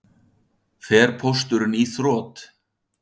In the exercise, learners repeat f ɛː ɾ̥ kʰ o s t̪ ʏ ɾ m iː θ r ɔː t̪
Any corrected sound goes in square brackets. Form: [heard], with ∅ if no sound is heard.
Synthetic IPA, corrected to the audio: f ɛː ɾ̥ [pʰ] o s t̪ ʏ ɾ [n] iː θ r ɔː t̪